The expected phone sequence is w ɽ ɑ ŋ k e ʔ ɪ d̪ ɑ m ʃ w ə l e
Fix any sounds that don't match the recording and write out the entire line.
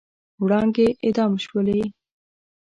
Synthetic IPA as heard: w ɽ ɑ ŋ ɡ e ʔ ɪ d̪ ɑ m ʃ w ə l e